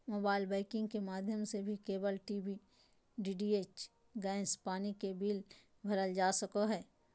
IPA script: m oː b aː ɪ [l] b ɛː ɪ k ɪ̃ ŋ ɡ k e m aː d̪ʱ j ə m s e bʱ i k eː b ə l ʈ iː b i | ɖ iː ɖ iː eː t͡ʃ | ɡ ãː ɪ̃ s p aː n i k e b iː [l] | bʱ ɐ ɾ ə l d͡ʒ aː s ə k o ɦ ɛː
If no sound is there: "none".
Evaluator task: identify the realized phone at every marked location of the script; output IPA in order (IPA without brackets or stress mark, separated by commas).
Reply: l, l